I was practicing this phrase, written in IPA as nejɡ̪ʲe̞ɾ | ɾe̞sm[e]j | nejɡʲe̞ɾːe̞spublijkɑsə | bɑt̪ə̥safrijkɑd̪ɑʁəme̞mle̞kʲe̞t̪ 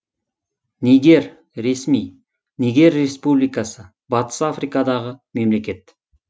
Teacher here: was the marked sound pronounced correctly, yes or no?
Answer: no